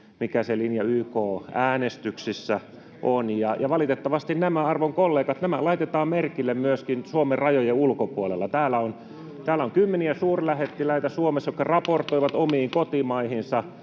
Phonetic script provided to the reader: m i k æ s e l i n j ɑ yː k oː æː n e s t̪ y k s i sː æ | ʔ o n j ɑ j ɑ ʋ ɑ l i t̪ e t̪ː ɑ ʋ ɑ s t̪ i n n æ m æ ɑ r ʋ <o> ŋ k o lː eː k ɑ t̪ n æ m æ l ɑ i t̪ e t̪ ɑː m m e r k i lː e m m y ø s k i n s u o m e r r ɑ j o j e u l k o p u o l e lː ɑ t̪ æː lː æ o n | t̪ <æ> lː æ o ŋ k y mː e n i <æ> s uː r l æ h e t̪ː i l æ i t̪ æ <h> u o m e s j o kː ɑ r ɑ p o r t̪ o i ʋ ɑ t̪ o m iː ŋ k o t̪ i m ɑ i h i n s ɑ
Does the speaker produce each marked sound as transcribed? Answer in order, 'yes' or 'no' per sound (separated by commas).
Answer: yes, no, yes, no